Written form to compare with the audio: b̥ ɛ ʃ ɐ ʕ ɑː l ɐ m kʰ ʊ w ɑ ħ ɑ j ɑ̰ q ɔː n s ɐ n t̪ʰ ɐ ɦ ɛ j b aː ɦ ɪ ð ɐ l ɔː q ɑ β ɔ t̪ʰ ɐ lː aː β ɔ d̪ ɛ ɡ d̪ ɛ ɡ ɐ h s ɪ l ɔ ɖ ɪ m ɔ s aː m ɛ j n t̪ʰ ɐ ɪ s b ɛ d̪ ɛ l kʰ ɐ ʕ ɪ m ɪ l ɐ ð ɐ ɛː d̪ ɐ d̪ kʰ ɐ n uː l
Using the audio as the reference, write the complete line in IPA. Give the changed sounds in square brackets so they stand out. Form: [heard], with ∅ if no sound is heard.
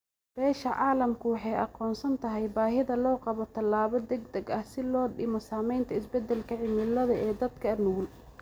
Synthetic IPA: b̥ [ɛː] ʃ ɐ ʕ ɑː l ɐ m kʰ ʊ w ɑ ħ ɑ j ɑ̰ q ɔː n s ɐ n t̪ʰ ɐ ɦ ɛ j b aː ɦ ɪ ð ɐ l ɔː q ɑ β ɔ t̪ʰ ɐ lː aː β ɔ d̪ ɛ ɡ d̪ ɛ ɡ ɐ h s ɪ l [ɔː] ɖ ɪ m ɔ s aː m ɛ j n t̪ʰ ɐ ɪ s b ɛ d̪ ɛ l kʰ ɐ ʕ ɪ m ɪ l ɐ ð ɐ ɛː d̪ ɐ d̪ kʰ ɐ n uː l